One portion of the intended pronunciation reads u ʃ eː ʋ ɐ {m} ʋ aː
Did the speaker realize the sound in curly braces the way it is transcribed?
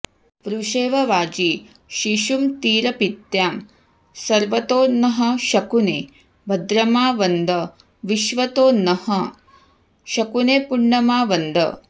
no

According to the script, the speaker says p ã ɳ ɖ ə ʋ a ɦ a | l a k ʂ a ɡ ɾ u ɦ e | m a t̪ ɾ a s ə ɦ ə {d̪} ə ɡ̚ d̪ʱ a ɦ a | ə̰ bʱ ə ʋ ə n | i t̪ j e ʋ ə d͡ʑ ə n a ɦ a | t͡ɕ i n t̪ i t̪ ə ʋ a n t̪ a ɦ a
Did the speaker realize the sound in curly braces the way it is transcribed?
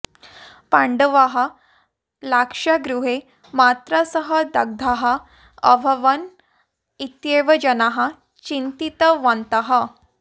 yes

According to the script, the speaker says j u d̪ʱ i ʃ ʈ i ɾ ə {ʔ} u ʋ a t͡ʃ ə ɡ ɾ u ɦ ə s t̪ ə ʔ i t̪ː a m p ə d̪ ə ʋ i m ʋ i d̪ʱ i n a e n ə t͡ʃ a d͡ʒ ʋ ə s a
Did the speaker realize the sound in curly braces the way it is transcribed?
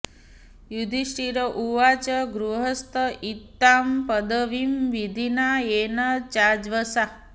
yes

